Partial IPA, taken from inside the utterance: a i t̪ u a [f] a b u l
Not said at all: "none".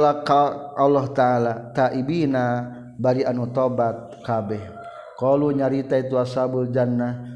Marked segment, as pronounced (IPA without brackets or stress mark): s